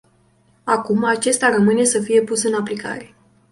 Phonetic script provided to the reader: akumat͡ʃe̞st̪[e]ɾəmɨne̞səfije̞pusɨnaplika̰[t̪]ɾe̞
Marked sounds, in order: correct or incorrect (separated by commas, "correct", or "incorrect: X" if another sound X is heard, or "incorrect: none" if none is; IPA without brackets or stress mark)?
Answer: incorrect: a, incorrect: none